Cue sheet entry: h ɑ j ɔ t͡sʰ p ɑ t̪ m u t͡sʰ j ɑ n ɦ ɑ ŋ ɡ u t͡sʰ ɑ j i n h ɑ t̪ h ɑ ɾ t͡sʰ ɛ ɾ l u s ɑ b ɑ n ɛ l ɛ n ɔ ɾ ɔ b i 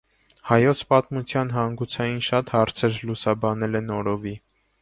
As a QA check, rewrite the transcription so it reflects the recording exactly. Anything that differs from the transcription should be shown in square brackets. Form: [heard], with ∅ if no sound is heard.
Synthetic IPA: h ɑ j ɔ t͡sʰ p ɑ t̪ m u t͡sʰ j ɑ n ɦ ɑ ŋ ɡ u t͡sʰ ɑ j i n [ʃ] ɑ t̪ h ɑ ɾ t͡sʰ ɛ ɾ l u s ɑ b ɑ n ɛ l ɛ n ɔ ɾ ɔ [v] i